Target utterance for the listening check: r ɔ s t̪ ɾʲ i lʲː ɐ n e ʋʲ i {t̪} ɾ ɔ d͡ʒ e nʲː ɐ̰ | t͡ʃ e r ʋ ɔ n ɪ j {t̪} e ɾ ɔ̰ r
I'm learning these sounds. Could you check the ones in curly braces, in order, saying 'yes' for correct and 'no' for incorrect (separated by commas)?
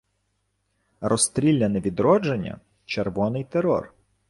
no, yes